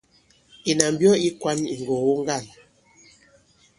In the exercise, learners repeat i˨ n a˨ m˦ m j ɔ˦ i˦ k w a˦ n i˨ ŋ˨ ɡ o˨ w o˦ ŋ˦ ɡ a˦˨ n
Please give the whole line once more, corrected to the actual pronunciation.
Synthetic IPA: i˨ n a˨ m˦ b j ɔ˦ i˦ k w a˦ n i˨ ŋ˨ ɡ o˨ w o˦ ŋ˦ ɡ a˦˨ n